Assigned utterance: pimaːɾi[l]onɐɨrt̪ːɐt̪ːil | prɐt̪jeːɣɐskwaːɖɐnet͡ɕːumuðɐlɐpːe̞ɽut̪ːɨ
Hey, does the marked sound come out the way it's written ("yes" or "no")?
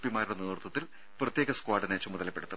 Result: no